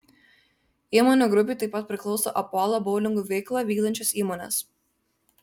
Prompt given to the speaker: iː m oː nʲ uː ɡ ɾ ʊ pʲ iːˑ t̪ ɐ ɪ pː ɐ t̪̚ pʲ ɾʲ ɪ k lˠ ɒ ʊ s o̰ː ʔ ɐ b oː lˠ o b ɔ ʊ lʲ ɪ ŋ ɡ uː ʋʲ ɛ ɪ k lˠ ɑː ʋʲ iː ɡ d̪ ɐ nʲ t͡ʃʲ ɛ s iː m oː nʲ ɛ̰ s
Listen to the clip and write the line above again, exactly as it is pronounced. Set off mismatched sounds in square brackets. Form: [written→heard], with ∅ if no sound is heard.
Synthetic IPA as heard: iː m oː nʲ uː ɡ ɾ ʊ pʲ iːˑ t̪ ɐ ɪ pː ɐ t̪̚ pʲ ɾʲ ɪ k lˠ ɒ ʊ s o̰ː ʔ ɐ [b→p] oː lˠ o b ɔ ʊ lʲ ɪ ŋ ɡ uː ʋʲ ɛ ɪ k lˠ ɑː ʋʲ iː ɡ d̪ ɐ nʲ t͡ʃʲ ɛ s iː m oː nʲ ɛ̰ s